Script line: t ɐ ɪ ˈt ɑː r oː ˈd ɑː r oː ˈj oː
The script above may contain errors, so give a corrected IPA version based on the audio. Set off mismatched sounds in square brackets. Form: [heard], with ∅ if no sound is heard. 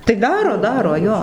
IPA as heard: t ɐ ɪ [ˈd] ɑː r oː ˈd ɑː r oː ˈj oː